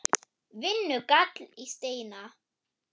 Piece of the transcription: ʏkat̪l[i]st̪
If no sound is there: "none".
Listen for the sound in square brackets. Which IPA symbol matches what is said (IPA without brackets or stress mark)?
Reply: i